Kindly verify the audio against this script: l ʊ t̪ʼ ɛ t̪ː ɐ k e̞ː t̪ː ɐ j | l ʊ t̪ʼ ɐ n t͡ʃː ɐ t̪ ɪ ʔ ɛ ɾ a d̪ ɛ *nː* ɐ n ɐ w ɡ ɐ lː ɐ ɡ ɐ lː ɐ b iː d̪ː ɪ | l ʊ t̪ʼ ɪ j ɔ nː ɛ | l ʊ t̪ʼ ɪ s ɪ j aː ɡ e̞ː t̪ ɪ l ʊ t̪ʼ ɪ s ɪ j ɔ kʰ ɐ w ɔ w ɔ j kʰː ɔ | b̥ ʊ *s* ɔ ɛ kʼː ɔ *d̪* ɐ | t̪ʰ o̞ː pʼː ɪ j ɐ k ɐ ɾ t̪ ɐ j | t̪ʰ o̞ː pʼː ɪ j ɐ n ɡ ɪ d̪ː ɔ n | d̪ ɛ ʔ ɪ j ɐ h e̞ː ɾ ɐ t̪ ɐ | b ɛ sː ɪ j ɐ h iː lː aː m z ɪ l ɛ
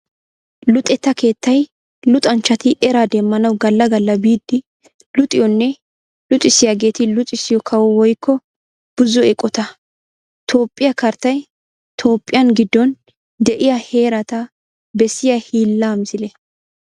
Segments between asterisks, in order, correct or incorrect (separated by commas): incorrect, incorrect, incorrect